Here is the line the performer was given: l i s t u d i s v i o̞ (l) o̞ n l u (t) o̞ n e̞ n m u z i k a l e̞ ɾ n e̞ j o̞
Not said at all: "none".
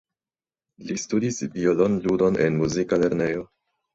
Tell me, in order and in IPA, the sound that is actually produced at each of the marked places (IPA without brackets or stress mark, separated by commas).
l, d